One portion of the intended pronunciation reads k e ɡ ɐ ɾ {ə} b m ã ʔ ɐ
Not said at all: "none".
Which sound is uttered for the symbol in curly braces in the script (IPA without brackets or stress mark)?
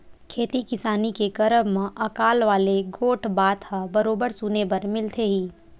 ə